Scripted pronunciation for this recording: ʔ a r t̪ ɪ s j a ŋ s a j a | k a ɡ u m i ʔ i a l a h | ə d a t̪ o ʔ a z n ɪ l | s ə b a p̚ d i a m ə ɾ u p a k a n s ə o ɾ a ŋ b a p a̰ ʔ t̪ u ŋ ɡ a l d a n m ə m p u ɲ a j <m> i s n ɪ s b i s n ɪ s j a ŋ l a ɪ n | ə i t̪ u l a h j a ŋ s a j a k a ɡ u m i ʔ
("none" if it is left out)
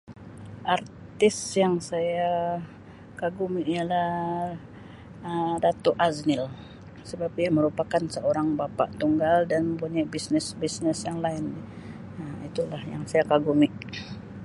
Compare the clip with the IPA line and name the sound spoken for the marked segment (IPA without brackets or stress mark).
b